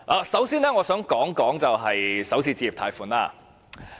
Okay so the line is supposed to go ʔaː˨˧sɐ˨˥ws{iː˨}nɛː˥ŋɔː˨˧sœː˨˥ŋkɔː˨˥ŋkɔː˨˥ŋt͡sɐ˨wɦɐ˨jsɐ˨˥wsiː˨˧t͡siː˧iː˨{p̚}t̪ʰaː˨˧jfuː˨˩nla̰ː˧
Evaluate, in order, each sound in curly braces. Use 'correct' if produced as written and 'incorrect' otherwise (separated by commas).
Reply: incorrect, correct